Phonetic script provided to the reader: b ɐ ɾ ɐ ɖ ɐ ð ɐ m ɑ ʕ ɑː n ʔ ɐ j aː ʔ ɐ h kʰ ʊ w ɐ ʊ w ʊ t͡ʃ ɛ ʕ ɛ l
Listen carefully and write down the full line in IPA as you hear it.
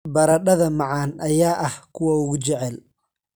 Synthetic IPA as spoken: b ɐ ɾ ɐ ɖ ɐ ð ɐ m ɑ ʕ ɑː n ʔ ɐ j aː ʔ ɐ h kʰ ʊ w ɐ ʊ ɣ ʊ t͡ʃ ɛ ʕ ɛ l